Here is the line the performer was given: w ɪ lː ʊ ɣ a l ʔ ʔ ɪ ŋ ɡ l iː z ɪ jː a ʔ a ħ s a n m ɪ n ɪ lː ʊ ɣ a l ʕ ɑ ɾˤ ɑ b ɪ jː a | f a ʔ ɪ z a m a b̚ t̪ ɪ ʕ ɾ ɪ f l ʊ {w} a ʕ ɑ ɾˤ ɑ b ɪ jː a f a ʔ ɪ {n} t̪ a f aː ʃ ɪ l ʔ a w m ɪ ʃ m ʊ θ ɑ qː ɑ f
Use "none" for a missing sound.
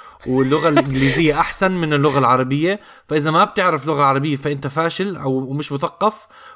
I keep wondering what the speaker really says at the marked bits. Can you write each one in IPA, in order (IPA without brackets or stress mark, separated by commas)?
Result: ɣ, n